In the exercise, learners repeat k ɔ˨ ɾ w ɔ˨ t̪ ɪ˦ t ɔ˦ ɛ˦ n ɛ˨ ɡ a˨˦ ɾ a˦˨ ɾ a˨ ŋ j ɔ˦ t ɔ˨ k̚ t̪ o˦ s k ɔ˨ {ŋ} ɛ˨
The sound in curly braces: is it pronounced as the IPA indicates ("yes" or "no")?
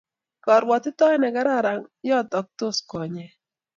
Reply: no